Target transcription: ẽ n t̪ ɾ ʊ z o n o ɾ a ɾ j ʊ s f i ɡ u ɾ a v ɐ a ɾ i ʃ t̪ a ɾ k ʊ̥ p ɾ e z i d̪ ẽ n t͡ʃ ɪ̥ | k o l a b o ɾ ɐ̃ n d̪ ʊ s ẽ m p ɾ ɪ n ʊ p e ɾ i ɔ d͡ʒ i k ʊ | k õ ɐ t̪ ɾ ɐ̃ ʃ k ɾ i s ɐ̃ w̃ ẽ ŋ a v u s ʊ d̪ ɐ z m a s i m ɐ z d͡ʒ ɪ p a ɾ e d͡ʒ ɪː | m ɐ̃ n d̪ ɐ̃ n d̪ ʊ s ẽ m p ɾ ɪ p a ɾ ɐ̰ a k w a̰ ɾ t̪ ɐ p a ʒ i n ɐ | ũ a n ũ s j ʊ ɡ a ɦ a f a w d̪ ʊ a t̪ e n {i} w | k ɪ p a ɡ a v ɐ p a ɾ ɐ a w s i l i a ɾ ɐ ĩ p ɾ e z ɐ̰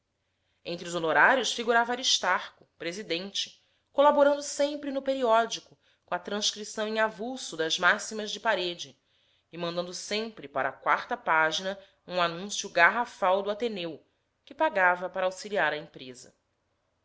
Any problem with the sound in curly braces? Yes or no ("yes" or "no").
yes